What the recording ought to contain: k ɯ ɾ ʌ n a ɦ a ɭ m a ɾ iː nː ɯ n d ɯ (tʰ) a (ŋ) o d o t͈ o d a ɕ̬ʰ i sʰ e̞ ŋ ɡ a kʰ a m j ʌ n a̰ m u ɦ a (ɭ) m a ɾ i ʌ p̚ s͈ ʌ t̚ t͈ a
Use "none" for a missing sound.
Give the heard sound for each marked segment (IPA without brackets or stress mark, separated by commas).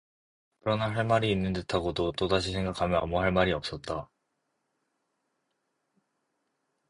tʰ, ɡ, ɭ